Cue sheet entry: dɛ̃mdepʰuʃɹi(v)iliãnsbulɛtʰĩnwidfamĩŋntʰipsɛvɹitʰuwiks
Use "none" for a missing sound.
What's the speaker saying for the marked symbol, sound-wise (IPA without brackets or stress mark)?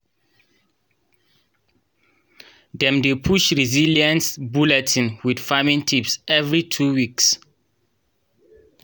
z